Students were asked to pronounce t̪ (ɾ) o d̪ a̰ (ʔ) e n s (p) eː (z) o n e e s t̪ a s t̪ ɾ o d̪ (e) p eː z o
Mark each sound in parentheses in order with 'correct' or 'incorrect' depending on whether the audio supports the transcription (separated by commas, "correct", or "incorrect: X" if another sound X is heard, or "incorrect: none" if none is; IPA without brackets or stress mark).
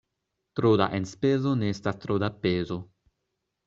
correct, correct, correct, correct, incorrect: a